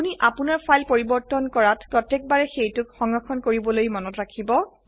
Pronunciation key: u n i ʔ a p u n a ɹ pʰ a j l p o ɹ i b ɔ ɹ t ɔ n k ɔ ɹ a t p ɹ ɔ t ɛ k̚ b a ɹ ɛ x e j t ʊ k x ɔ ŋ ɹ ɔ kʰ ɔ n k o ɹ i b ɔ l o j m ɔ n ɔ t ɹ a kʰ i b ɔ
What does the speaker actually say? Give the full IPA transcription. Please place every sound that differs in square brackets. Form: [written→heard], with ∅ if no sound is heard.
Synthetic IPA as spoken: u n i ʔ a p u n a ɹ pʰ a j l p o ɹ i b ɔ ɹ t ɔ n k ɔ ɹ a t p ɹ ɔ t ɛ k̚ b a ɹ ɛ x e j t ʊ k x ɔ ŋ ɹ ɔ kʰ ɔ n k o ɹ i b ɔ l o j m ɔ n ɔ t ɹ a kʰ i b ɔ